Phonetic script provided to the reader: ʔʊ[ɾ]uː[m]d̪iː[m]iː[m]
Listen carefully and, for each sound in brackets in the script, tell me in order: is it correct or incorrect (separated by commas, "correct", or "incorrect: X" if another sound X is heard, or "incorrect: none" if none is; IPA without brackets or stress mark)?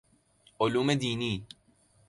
incorrect: l, correct, incorrect: n, incorrect: none